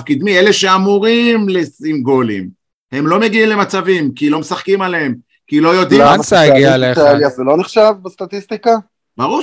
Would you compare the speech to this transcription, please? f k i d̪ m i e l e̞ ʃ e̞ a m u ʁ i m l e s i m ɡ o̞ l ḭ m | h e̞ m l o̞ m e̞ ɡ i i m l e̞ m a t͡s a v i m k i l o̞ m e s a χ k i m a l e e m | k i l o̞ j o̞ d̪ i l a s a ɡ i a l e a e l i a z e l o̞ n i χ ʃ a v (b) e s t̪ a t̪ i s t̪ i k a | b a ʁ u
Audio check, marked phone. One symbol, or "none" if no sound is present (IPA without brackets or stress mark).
b